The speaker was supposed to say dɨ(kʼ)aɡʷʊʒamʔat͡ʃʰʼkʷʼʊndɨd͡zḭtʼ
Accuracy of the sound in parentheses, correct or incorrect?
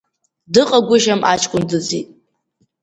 incorrect